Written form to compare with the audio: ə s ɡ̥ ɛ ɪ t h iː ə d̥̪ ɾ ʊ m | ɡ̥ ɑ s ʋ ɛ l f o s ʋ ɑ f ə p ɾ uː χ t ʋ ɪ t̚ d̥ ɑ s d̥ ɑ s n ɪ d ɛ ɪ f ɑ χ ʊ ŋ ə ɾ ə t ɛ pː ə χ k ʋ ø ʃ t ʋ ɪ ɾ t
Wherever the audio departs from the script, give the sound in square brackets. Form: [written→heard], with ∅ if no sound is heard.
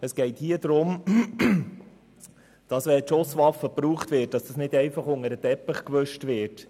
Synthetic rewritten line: ə s ɡ̥ ɛ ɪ t h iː ə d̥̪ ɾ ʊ m | [ɡ̥→d̥] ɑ s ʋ ɛ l [f→ʃ] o s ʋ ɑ f ə p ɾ uː χ t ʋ ɪ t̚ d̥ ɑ s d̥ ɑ s n ɪ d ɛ ɪ f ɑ χ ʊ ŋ ə ɾ ə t ɛ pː ə χ k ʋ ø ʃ t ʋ ɪ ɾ t